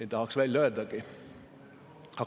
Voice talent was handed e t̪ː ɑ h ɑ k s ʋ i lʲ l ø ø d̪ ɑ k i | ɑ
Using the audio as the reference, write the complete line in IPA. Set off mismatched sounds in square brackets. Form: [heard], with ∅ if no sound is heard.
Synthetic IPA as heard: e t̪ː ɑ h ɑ k s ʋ [æ] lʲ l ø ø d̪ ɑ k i | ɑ